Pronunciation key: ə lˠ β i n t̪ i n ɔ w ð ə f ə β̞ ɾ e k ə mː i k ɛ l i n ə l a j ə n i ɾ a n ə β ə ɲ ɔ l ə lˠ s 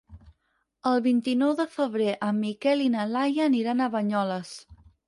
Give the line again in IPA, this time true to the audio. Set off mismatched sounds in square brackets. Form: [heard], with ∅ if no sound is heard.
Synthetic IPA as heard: ə lˠ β i n t̪ i n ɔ w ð ə f ə β̞ ɾ e [ʔ] ə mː i k ɛ l i n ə l a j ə n i ɾ a n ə β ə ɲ ɔ l ə [∅] s